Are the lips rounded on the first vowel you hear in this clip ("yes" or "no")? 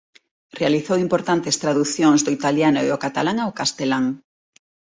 no